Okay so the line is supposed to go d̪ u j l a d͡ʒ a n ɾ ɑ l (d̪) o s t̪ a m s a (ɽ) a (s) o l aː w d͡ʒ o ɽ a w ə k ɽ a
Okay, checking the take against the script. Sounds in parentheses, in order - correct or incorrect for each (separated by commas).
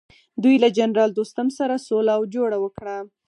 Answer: correct, incorrect, correct